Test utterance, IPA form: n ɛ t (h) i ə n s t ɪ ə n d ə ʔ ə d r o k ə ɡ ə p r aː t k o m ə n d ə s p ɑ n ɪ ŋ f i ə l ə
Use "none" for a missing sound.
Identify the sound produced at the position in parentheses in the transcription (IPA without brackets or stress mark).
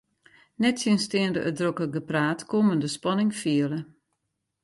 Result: s